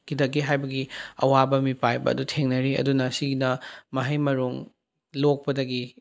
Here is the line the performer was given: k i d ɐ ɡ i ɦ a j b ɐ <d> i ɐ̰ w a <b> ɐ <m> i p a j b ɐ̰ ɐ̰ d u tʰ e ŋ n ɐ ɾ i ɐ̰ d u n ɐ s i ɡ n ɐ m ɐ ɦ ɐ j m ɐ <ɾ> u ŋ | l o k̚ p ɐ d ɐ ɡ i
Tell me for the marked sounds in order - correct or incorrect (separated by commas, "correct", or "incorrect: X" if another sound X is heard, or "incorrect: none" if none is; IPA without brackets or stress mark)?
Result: incorrect: ɡ, correct, correct, correct